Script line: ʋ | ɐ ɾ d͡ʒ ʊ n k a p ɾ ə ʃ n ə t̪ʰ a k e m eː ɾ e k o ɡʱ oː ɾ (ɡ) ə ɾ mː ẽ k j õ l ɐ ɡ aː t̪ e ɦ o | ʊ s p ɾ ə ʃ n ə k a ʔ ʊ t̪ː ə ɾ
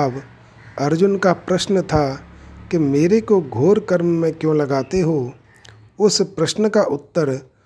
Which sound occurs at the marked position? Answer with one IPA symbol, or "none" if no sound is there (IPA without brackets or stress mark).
k